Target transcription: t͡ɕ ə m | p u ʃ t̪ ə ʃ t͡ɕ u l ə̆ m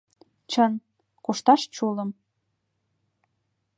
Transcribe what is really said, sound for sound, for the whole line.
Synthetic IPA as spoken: t͡ɕ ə n | k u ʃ t̪ ɑ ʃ t͡ɕ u l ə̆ m